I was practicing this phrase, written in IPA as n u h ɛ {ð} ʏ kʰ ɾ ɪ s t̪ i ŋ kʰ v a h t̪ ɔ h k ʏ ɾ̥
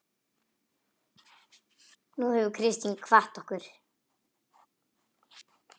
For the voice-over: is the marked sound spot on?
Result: no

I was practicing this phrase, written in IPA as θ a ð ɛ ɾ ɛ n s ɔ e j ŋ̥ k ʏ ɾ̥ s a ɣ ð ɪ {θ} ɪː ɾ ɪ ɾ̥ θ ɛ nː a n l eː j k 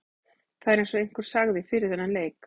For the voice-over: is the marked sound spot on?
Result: no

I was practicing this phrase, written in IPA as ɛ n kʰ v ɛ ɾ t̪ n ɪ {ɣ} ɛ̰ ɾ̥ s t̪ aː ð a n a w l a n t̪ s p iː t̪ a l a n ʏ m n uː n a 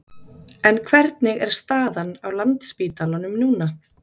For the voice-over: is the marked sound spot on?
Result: yes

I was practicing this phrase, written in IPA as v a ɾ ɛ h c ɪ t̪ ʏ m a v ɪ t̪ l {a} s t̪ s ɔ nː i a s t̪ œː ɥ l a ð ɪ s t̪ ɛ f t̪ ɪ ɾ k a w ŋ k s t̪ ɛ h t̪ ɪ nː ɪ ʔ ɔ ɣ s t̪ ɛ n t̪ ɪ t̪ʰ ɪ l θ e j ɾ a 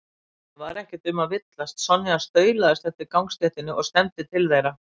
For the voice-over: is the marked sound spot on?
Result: yes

